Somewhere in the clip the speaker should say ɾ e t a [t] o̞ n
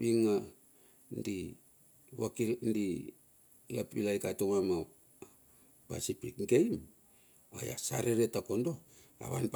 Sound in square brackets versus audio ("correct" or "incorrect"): incorrect